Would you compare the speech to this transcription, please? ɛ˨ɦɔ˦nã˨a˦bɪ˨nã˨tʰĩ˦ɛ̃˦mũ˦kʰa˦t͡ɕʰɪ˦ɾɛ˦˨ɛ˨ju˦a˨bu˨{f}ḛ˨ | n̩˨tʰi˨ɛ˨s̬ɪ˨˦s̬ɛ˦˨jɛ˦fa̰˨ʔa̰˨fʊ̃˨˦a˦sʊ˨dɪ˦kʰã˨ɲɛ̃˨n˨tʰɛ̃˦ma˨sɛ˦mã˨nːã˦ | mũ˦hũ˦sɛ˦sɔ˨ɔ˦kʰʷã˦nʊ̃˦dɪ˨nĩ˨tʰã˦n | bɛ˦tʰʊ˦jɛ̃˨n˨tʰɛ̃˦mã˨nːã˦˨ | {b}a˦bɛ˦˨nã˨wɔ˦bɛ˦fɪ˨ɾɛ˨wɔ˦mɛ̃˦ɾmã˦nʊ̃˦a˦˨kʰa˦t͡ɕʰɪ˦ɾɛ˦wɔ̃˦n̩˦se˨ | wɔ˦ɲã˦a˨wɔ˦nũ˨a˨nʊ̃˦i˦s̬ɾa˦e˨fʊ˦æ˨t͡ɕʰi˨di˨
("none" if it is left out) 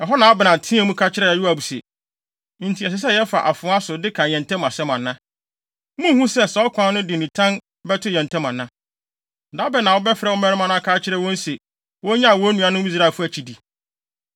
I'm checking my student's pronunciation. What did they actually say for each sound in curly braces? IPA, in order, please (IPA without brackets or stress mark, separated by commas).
s, d